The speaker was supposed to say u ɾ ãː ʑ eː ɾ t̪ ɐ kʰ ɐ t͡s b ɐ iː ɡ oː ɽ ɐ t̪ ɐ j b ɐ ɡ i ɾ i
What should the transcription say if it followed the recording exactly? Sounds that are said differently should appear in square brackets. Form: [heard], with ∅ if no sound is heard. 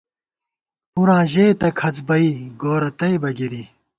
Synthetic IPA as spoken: u ɾ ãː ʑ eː [∅] t̪ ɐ kʰ ɐ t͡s b ɐ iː ɡ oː [ɾ] ɐ t̪ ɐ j b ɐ ɡ i ɾ i